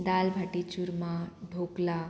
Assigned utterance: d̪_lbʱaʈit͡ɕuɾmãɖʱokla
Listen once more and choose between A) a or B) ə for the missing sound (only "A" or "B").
A